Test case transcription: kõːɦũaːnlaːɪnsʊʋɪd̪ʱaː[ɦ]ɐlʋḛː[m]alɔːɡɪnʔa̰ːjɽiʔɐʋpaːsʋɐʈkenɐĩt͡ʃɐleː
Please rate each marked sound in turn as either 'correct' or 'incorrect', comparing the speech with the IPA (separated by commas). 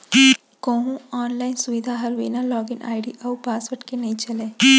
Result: correct, incorrect